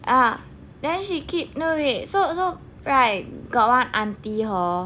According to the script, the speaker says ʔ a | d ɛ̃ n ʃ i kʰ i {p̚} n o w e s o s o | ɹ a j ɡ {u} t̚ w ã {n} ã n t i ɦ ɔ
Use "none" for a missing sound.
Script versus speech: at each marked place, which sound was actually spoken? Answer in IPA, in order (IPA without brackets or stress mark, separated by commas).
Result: p̚, ɔ, n